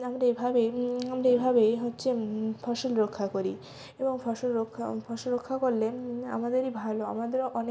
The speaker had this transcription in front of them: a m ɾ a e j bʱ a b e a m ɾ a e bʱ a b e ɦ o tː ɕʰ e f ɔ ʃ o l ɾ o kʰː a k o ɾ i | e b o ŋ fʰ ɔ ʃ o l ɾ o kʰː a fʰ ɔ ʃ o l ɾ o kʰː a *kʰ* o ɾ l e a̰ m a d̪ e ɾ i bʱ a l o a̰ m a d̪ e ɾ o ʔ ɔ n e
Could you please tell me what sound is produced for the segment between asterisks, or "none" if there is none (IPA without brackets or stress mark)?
k